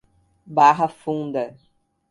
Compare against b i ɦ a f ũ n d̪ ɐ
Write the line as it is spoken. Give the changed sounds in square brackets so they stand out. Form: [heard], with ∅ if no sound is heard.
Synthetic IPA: b [a] ɦ [ɐ] f ũ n d̪ ɐ